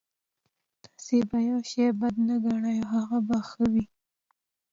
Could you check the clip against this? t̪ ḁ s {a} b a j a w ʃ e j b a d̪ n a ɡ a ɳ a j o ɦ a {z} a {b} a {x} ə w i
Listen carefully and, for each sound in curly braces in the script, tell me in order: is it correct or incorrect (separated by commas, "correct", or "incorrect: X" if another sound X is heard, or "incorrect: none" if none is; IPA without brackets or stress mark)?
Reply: incorrect: e, incorrect: ɣ, correct, correct